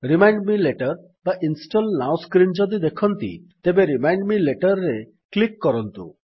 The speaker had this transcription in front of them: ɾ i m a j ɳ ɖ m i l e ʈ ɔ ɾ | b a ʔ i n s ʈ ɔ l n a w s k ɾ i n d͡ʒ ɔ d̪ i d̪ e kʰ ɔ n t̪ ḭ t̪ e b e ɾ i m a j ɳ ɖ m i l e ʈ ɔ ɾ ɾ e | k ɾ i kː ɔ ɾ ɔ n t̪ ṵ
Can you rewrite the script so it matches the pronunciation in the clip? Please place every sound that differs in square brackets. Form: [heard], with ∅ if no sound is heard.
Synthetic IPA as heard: ɾ i m a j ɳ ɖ m i l e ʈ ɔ ɾ | b a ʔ i n s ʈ ɔ l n a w s k ɾ i n d͡ʒ ɔ d̪ i d̪ e kʰ ɔ n t̪ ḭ t̪ e b e ɾ i m a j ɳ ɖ m i l e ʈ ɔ ɾ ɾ e | k [l] i kː ɔ ɾ ɔ n t̪ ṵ